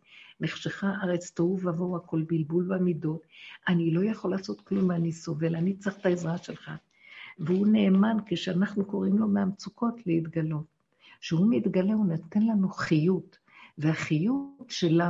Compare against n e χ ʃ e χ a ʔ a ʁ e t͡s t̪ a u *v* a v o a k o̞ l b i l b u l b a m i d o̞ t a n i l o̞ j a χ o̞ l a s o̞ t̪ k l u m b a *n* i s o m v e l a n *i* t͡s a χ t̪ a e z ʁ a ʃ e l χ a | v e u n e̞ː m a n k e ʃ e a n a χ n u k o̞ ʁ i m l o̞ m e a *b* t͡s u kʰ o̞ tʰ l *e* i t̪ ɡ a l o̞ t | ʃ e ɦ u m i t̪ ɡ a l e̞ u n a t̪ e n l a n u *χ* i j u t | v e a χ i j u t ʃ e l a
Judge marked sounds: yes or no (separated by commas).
yes, yes, yes, no, yes, yes